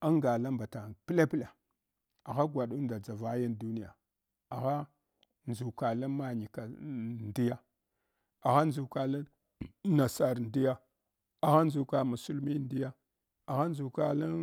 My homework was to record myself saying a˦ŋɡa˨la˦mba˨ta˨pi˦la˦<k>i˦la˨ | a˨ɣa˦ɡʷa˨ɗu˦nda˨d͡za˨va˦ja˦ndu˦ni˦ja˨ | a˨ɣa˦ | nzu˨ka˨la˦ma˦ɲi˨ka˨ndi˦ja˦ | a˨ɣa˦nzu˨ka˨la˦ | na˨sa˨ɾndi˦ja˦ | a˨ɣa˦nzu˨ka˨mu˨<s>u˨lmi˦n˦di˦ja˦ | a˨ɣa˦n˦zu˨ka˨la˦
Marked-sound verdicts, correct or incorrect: incorrect: p, correct

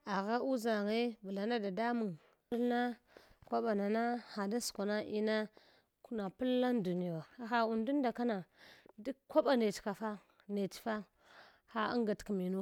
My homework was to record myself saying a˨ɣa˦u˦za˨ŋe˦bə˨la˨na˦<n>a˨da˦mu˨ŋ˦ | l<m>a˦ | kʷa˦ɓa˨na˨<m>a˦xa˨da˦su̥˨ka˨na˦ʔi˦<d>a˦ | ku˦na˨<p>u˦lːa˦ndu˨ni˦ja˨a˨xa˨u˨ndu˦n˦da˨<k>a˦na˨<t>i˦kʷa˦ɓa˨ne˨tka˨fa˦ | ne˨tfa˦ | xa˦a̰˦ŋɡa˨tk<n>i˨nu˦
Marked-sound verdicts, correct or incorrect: incorrect: d, incorrect: n, incorrect: n, incorrect: n, correct, correct, incorrect: d, incorrect: m

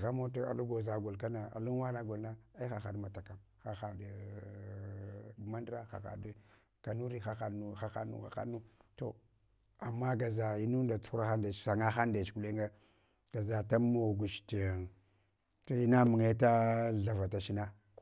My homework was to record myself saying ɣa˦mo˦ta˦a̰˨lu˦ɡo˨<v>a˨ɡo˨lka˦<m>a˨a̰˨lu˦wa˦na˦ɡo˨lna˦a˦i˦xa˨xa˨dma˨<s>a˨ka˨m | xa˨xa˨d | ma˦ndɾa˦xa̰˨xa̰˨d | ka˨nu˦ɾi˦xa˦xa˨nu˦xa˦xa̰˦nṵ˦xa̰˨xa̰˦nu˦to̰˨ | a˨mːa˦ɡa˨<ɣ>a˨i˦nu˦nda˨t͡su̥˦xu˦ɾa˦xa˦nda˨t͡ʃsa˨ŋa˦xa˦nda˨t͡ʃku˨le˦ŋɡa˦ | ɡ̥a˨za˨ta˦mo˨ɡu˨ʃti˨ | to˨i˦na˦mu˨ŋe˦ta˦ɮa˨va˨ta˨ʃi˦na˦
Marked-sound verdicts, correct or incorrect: incorrect: z, incorrect: n, incorrect: t, incorrect: z

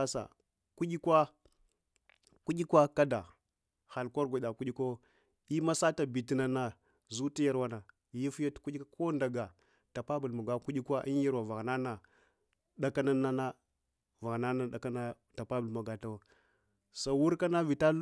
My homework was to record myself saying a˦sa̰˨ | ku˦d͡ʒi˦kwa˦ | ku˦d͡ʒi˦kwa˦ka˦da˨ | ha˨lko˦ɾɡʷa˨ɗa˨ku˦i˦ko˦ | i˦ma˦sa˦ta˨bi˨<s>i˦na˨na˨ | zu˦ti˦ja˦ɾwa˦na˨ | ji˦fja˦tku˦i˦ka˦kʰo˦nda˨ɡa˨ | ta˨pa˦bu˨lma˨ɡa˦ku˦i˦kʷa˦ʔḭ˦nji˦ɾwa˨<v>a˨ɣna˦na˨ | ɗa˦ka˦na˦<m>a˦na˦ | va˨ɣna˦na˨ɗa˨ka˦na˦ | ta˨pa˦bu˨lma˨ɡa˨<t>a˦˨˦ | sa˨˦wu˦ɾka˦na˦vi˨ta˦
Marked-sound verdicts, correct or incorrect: incorrect: t, correct, incorrect: n, correct

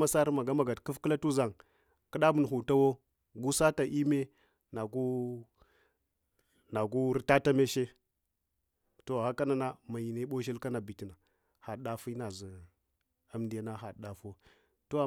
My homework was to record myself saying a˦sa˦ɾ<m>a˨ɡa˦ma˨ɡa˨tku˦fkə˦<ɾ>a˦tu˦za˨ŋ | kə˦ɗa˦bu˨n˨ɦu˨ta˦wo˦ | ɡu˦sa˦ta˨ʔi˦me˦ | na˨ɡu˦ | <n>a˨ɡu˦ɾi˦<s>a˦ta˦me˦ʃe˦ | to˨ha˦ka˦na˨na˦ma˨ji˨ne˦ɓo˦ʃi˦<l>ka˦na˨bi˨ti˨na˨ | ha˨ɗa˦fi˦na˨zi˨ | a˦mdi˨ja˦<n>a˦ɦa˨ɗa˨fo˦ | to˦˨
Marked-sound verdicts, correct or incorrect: correct, incorrect: l, correct, incorrect: t, correct, correct

